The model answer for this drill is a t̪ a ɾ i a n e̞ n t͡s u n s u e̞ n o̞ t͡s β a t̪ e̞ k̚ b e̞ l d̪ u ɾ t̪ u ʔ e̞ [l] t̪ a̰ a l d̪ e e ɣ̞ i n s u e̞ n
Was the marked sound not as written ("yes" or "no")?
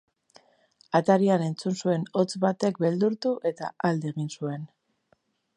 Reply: yes